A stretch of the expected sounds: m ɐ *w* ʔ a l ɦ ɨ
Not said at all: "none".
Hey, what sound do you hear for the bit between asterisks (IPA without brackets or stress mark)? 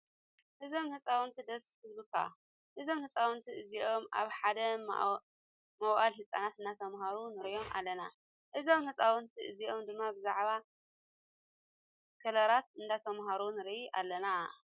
w